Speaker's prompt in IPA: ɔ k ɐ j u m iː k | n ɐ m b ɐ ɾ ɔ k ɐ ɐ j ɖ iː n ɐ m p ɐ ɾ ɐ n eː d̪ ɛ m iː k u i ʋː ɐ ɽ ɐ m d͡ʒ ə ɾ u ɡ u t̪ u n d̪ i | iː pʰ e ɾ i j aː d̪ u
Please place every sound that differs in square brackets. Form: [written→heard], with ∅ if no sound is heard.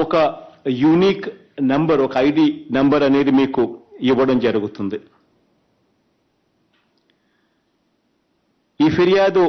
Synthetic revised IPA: ɔ k ɐ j u [m→n] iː k | n ɐ m b ɐ ɾ ɔ k ɐ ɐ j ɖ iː n ɐ m [p→b] ɐ ɾ ɐ n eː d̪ [ɛ→i] m iː k u i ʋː ɐ ɽ ɐ m d͡ʒ [ə→ɐ] ɾ u ɡ u t̪ u n d̪ i | iː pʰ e ɾ i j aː d̪ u